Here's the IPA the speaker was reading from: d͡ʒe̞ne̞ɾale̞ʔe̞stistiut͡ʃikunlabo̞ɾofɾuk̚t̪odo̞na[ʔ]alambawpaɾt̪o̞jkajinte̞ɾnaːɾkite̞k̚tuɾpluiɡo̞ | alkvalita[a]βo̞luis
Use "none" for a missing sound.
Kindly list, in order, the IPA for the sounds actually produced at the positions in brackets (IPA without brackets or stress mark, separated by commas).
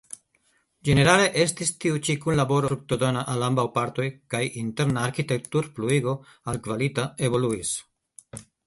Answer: ʔ, e